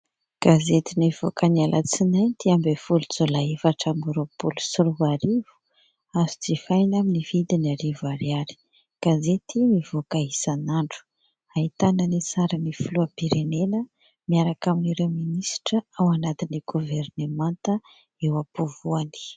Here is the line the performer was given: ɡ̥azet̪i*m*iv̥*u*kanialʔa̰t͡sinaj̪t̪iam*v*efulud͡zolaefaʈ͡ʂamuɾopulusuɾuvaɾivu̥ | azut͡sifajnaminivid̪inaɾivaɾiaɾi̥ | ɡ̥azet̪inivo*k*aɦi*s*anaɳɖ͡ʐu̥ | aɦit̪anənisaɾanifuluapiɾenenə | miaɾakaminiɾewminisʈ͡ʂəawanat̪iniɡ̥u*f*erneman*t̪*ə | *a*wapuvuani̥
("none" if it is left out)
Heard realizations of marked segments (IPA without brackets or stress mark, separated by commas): n, o, b, k, s, v, t̪, e